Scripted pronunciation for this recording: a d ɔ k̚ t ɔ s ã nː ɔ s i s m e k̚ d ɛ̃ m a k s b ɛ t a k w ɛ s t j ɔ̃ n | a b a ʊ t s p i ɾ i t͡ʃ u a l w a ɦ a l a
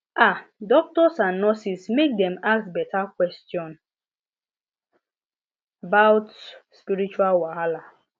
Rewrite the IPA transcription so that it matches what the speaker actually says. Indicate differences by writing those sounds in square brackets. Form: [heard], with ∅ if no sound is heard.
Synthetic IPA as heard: a d ɔ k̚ t ɔ s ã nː ɔ s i s m e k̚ d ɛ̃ m a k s b ɛ t a k w ɛ s t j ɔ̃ n | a b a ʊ t s p i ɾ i t͡ʃ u a l w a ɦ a l a